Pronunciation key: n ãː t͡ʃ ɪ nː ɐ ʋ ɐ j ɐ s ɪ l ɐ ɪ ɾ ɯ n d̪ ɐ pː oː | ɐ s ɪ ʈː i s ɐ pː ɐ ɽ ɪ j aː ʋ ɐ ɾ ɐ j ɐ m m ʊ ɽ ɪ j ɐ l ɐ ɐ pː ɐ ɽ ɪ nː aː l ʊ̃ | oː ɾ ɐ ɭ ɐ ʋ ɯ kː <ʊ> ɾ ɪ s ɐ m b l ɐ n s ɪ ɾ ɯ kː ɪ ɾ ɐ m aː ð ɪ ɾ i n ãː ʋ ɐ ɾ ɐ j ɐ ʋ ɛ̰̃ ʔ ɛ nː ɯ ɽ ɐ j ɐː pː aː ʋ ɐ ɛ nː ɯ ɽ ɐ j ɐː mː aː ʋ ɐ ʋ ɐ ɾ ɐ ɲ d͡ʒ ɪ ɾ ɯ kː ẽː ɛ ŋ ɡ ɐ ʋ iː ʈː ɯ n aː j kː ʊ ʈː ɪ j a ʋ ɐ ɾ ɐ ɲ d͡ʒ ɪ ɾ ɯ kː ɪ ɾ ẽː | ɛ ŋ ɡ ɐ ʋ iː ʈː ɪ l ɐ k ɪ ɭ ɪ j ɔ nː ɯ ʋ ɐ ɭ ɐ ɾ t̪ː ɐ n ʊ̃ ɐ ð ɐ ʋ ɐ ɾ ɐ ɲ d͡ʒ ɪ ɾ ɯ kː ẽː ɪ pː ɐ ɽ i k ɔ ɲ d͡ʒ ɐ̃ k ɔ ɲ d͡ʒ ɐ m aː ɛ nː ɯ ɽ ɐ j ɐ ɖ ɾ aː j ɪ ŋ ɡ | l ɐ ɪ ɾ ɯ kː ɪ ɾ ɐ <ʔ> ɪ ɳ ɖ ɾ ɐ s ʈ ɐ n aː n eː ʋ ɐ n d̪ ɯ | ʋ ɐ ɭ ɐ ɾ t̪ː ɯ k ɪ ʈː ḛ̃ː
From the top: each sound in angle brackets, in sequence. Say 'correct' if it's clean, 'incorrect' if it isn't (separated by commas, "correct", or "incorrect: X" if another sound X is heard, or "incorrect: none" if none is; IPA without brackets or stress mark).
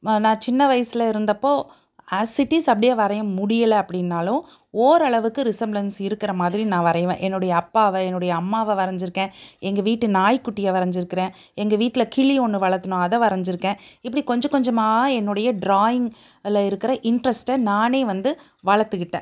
incorrect: ɯ, correct